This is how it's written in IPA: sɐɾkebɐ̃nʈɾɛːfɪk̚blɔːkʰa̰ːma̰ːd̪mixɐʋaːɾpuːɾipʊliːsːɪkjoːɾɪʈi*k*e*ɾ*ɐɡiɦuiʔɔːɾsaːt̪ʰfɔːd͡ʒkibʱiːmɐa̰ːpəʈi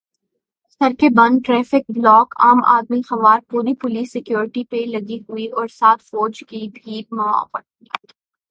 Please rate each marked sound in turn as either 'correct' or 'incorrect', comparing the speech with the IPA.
incorrect: p, incorrect: l

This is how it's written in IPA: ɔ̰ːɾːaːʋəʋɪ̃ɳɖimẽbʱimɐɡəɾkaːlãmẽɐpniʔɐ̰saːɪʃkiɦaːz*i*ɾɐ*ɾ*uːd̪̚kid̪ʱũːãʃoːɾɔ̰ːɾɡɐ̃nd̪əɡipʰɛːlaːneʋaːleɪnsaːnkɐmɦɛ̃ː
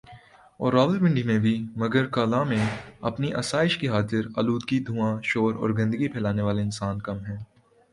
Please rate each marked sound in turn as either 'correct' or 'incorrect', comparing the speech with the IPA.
incorrect: ɪ, incorrect: l

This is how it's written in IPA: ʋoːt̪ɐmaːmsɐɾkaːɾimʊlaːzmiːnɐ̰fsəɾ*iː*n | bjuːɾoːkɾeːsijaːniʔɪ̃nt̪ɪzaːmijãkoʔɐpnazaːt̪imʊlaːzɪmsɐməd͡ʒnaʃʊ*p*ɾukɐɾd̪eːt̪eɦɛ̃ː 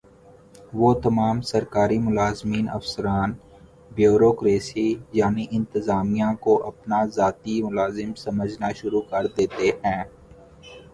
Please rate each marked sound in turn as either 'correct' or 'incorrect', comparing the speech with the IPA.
incorrect: aː, incorrect: none

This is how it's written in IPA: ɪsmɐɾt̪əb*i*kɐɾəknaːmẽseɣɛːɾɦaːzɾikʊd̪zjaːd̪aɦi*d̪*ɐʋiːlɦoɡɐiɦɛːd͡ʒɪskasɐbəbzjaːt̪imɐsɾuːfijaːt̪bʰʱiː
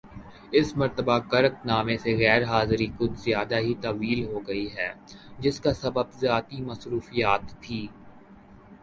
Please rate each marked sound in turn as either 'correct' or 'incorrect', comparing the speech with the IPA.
incorrect: a, incorrect: t̪

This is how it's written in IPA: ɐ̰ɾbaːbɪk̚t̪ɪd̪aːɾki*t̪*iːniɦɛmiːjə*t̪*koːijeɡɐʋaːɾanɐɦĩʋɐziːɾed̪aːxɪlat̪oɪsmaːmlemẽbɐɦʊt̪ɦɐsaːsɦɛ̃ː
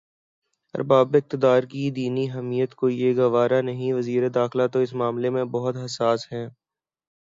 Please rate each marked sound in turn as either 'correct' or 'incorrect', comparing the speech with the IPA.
incorrect: d̪, correct

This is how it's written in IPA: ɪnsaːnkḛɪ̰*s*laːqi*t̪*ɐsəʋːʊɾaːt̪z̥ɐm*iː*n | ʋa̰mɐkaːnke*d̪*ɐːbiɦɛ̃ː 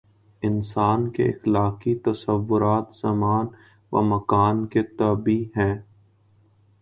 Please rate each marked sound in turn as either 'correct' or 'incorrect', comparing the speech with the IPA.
incorrect: x, correct, incorrect: aː, incorrect: t̪

